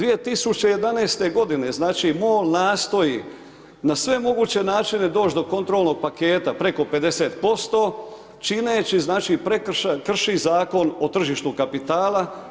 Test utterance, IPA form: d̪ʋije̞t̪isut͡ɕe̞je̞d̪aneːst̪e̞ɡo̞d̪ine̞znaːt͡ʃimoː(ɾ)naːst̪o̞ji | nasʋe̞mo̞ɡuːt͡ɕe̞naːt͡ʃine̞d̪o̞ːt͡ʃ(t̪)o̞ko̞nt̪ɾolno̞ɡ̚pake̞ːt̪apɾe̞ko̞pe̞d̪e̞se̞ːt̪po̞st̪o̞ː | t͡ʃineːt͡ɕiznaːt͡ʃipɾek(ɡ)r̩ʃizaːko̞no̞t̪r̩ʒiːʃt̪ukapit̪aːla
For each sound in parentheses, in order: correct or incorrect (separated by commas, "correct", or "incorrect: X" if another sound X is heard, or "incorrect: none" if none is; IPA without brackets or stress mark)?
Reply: incorrect: l, incorrect: d̪, incorrect: k